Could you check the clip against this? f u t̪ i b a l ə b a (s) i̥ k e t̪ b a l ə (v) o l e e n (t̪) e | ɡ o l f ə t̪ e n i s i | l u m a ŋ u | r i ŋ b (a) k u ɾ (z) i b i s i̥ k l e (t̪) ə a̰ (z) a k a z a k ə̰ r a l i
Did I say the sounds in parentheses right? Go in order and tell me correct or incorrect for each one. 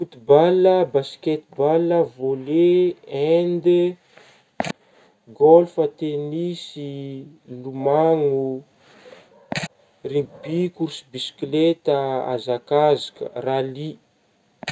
correct, correct, incorrect: d̪, incorrect: i, incorrect: s, correct, correct

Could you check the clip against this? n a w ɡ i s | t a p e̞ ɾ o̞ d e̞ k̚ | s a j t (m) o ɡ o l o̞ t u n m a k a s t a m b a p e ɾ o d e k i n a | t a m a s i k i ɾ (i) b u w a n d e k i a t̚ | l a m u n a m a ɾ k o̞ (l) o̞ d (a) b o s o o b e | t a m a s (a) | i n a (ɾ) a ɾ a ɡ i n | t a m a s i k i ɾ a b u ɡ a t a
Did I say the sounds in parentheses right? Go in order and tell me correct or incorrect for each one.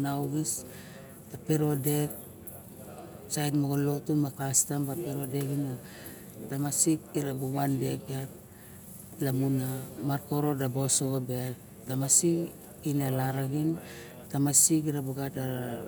correct, incorrect: a, incorrect: ɾ, correct, incorrect: i, incorrect: l

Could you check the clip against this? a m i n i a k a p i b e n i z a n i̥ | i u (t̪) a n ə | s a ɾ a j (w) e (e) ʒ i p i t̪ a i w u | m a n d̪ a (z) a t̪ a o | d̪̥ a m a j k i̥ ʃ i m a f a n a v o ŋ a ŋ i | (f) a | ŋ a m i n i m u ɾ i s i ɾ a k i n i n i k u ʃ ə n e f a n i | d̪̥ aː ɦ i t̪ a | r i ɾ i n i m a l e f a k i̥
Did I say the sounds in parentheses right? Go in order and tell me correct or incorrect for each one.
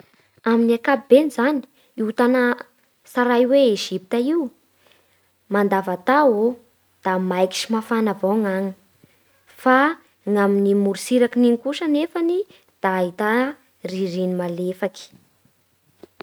correct, correct, correct, incorrect: v, correct

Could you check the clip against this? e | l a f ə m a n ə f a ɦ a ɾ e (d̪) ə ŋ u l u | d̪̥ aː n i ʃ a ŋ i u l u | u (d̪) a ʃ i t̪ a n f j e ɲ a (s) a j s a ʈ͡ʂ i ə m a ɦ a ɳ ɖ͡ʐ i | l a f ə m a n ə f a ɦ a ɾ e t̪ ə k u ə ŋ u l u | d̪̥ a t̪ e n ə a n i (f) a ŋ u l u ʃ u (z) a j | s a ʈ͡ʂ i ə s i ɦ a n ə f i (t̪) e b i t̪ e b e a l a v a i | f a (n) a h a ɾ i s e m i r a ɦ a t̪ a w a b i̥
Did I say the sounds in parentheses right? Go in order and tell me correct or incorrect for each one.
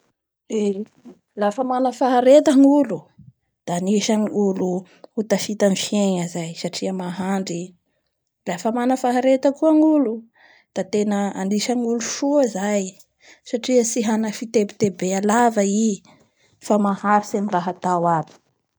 incorrect: t̪, incorrect: t̪, incorrect: z, incorrect: ʃ, correct, correct, incorrect: m

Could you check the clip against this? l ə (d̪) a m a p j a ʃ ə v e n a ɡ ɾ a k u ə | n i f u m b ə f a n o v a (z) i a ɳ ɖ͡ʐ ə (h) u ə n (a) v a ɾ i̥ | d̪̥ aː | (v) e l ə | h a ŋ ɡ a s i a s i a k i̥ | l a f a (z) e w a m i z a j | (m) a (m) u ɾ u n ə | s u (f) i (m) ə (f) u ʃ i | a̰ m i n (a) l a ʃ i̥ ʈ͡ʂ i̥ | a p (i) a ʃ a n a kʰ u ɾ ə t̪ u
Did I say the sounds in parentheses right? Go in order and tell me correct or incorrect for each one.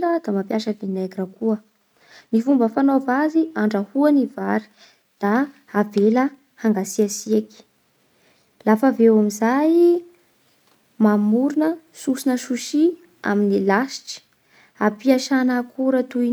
correct, correct, correct, incorrect: i, correct, incorrect: v, correct, correct, incorrect: s, incorrect: n, incorrect: ʃ, incorrect: i, correct

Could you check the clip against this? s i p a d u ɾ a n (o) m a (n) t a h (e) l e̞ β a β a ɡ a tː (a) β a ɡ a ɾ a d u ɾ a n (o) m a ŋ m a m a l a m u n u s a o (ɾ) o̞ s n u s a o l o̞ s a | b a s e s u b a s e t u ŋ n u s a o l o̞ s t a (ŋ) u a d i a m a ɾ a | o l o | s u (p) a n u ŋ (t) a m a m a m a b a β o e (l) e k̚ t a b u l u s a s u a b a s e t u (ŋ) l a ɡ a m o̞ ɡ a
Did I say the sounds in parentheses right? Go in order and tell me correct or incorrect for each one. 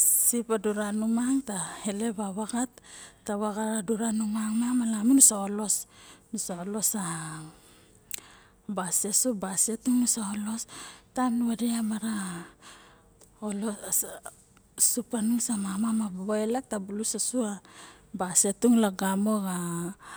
incorrect: u, incorrect: ŋ, correct, correct, incorrect: u, incorrect: l, incorrect: n, correct, incorrect: s, correct, correct

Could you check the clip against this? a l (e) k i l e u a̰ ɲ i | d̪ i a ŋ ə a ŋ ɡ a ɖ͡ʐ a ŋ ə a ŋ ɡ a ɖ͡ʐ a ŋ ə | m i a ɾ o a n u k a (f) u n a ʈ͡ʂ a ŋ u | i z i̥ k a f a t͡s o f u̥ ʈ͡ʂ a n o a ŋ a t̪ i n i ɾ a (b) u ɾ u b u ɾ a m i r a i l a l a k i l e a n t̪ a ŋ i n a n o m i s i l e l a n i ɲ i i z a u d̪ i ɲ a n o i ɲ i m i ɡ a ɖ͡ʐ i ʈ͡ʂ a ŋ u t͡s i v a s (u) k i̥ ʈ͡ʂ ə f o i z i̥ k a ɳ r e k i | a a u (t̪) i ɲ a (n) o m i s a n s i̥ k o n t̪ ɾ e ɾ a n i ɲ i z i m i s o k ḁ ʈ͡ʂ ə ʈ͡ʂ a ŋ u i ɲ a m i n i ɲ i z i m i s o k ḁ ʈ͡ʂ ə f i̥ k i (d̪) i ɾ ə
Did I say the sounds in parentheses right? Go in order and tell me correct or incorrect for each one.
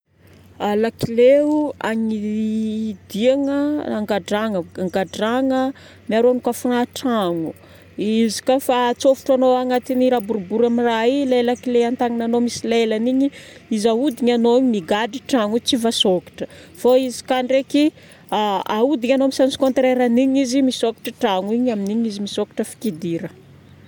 incorrect: a, correct, correct, incorrect: o, incorrect: d̪, correct, correct

